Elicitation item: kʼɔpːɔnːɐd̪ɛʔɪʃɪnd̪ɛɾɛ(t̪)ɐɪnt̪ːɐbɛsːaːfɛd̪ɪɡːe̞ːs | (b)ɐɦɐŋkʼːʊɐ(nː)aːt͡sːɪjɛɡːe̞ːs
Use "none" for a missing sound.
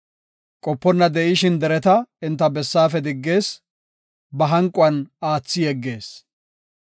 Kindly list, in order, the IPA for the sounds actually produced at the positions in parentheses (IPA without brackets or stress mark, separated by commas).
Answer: t̪, b, n